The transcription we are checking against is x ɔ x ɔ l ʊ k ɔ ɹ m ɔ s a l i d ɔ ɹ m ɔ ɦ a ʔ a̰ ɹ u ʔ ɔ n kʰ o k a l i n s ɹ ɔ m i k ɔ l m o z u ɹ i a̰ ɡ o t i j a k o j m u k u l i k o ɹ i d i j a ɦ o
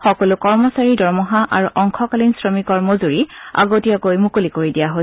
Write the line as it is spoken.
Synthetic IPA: x ɔ k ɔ l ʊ k ɔ ɹ m ɔ s a ɹ i d ɔ ɹ m ɔ ɦ a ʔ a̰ ɹ u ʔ ɔ ŋ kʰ ɔ k a l i n s ɹ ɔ m i k ɔ ɹ m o z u ɹ i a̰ ɡ o t i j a k o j m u k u l i k o ɹ i d i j a ɦ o